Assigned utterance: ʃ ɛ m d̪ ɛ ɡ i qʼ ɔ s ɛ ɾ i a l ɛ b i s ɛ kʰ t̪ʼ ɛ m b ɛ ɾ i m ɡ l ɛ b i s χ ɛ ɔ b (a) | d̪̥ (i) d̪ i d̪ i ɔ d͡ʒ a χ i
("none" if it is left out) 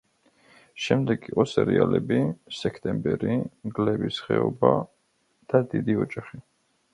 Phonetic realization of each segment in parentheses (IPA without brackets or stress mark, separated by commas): a, a